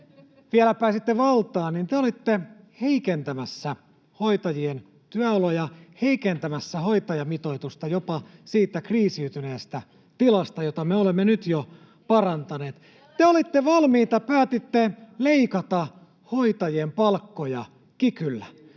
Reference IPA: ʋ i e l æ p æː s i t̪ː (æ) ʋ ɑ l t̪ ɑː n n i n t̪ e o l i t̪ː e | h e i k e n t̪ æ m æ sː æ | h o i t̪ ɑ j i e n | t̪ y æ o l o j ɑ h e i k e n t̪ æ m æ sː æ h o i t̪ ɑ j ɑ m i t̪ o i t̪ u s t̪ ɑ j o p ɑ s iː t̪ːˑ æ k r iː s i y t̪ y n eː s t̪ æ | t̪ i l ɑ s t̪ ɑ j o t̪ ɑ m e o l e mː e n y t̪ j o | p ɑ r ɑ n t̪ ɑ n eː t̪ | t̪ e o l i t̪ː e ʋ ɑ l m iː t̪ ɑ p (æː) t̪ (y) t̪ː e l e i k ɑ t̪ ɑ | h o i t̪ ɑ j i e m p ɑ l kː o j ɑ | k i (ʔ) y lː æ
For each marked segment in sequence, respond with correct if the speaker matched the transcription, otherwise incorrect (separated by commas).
incorrect, correct, incorrect, incorrect